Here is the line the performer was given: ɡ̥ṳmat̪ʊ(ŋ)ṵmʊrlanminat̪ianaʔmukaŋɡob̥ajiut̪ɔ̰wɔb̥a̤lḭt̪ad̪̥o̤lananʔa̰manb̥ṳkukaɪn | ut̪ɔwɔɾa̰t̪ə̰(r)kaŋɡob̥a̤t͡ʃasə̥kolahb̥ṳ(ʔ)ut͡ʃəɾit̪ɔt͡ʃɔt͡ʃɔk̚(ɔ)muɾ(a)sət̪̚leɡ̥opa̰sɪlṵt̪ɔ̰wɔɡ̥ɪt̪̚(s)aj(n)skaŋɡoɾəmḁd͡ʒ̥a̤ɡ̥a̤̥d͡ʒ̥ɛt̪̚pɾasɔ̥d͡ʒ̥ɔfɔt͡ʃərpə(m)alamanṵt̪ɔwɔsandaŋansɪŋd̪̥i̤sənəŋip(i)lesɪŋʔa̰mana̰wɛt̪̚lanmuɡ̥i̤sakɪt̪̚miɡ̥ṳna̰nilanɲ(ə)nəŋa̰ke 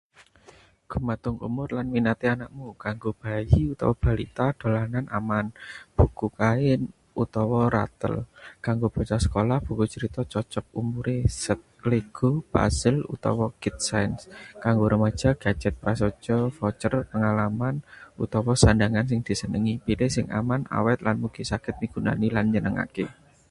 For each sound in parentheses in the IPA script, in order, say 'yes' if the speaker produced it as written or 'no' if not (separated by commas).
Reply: yes, no, no, no, no, yes, yes, no, yes, yes